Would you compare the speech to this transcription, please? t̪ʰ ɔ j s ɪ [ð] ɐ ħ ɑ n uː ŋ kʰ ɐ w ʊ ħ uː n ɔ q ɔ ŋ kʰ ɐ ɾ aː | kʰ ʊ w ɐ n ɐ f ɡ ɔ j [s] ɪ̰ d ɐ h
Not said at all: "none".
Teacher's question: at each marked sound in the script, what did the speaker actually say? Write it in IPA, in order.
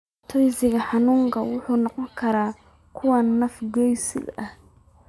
ɣ, s

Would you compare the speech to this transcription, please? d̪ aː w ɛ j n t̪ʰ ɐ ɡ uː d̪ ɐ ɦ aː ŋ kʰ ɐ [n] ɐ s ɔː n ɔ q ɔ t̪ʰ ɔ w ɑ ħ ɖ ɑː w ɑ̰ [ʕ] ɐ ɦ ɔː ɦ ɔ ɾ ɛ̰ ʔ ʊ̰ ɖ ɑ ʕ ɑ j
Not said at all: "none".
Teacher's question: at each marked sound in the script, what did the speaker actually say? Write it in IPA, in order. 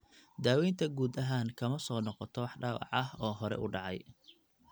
m, ʕ

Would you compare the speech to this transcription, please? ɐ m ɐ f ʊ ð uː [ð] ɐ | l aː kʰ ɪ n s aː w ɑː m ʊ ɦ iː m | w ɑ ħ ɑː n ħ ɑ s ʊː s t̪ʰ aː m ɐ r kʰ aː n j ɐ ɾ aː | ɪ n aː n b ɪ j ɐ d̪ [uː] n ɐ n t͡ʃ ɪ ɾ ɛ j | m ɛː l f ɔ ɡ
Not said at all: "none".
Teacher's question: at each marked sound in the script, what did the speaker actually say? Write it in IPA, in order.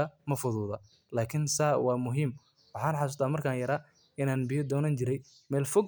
ð, ɔː

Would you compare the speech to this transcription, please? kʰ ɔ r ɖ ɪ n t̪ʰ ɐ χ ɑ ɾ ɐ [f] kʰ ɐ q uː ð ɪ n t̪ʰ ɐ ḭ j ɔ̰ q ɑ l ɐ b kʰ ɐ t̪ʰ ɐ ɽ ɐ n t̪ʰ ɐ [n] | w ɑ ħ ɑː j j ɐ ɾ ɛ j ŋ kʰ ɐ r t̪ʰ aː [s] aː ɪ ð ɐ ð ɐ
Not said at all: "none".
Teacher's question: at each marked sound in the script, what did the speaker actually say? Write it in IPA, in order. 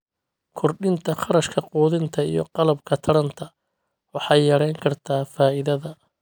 ʃ, none, f

